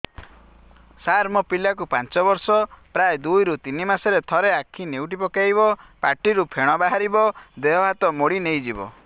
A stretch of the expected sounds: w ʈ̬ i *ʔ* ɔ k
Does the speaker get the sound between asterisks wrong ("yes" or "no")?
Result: yes